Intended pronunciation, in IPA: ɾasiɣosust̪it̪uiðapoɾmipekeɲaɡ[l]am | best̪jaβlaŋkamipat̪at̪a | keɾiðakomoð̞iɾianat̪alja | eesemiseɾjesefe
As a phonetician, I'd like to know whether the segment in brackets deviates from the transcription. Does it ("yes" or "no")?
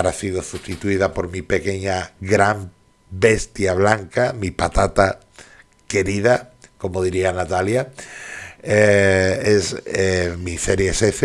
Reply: yes